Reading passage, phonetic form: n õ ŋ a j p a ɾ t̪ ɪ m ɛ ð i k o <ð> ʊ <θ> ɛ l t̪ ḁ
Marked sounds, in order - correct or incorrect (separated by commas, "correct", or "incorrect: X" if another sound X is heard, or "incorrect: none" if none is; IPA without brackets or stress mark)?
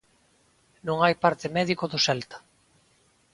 correct, incorrect: s